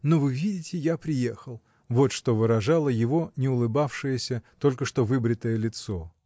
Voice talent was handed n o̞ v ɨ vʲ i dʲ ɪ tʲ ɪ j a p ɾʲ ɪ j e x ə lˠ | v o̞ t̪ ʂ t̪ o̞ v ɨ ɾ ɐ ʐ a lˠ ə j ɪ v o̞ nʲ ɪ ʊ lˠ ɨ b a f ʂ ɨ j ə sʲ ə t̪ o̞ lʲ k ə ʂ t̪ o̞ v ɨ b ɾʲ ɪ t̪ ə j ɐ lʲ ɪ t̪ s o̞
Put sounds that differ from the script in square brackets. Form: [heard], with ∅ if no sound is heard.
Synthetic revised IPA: n o̞ v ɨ vʲ i dʲ ɪ tʲ ɪ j a p ɾʲ ɪ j e x ə lˠ | v o̞ t̪ ʂ t̪ o̞ v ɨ ɾ ɐ ʐ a lˠ ə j ɪ v o̞ nʲ ɪ ʊ lˠ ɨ b a f ʂ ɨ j ə sʲ ə t̪ o̞ lʲ k ə ʂ t̪ o̞ v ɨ b ɾʲ ɪ t̪ ə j [ə] lʲ ɪ t̪ s o̞